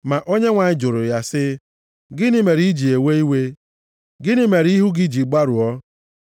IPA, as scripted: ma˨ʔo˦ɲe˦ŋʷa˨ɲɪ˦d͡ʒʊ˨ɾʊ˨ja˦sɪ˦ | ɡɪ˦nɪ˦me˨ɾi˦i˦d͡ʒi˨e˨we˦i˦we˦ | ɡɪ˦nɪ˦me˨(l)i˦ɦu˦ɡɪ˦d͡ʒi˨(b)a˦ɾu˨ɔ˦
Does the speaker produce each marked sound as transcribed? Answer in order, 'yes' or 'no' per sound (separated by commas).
no, no